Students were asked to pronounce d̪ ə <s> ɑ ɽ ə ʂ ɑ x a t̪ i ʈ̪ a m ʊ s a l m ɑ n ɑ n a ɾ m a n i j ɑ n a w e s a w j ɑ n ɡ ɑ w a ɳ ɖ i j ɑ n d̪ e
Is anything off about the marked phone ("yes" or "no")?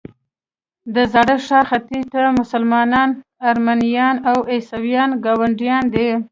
yes